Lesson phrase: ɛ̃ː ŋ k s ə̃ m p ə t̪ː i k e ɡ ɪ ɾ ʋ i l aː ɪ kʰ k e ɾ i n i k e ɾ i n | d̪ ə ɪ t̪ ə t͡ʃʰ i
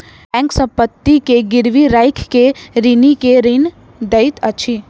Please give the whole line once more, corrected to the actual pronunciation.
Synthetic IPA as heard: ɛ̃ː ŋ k s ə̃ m p ə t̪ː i k e ɡ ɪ ɾ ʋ i ɾ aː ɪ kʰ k e ɾ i n i k e ɾ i n | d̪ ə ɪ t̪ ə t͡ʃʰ i

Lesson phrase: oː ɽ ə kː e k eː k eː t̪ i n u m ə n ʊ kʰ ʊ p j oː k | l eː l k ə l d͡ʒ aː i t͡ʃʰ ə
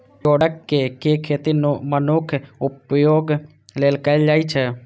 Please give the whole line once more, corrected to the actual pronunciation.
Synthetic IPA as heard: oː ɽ ə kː e k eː kʰ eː t̪ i n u m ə n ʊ kʰ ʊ p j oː ɡ | l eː l k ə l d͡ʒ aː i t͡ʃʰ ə

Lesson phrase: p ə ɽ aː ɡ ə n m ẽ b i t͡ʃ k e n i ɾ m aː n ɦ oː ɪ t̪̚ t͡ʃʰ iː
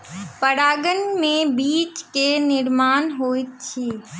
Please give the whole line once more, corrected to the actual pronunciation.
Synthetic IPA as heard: p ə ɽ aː ɡ ə n m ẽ b iː t͡ʃ k e n ɪ ɾ m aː n ɦ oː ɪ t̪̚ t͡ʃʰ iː

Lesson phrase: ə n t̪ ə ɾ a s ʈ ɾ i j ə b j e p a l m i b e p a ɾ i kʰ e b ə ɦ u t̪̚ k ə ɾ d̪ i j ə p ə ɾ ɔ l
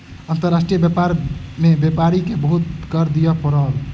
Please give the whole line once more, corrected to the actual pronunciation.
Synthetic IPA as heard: ə n t̪ ə ɾ a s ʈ ɾ i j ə b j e p a ɾ m e b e p a ɾ i k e b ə ɦ u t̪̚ k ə ɾ d̪ i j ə p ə ɾ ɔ l

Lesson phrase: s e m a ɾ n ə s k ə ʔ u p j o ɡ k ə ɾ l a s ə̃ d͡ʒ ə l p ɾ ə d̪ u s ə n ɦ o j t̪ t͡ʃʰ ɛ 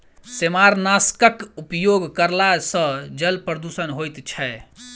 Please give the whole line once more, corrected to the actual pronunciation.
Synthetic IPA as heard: s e m a ɾ n a s k ə k u p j o ɡ k ə ɾ l a s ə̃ d͡ʒ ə l p ɾ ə d̪ u s ə n ɦ o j t̪ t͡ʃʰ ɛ

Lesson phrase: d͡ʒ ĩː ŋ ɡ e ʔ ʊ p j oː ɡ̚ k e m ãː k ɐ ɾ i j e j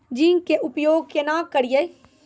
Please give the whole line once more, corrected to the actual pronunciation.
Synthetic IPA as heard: d͡ʒ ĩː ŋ k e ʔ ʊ p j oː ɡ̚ k e n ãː k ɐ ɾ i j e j

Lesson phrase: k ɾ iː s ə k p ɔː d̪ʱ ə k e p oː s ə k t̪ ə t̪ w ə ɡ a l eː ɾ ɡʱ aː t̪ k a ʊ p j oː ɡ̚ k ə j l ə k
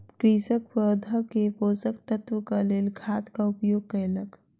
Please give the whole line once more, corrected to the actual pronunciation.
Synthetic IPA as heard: k ɾ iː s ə k p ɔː d̪ʱ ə k e p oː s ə k t̪ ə t̪ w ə k a l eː l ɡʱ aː t̪ k a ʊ p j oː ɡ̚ k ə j l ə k

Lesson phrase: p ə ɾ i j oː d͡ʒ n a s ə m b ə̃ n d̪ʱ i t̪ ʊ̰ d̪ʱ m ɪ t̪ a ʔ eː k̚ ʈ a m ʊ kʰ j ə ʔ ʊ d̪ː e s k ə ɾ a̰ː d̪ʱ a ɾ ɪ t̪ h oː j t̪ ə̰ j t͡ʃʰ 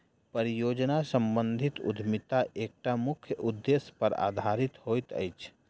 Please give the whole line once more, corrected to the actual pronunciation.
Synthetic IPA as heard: p ə ɾ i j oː d͡ʒ n a s ə m b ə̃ n d̪ʱ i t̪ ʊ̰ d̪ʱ m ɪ t̪ a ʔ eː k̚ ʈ a m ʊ kʰ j ə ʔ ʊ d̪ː e s p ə ɾ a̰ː d̪ʱ a ɾ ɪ t̪ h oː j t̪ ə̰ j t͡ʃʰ

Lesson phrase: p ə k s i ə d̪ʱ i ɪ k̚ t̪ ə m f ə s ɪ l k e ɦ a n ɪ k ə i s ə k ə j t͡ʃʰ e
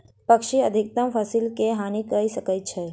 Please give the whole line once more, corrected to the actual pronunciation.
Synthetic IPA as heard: p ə k ʃ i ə d̪ʱ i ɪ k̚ t̪ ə m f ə s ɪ l k e ɦ a n i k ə i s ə k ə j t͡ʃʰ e

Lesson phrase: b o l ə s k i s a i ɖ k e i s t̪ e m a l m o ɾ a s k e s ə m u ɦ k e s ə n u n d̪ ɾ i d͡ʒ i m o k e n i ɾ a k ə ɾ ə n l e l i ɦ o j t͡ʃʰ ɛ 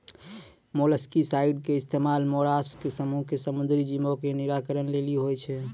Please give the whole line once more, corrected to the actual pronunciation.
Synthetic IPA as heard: m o l ə s k i s a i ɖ k e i s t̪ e m a l m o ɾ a s k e s ə m u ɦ k e s ə m u n d̪ ɾ i d͡ʒ i m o k e n i ɾ a k ə ɾ ə n l e l i ɦ o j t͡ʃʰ ɛ

